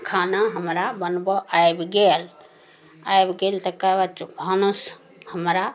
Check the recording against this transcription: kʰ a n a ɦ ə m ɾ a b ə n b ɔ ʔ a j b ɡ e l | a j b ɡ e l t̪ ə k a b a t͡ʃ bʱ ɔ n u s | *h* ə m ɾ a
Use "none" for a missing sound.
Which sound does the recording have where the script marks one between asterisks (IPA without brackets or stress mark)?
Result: h